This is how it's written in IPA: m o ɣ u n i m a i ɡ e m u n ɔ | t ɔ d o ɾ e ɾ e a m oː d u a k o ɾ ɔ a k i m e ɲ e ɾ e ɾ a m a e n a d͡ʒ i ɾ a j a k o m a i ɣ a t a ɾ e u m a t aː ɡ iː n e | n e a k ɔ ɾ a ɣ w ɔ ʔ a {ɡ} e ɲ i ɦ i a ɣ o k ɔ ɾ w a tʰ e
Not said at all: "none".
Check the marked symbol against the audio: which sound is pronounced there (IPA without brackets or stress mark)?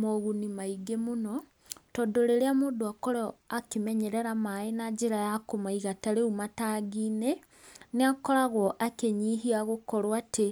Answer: k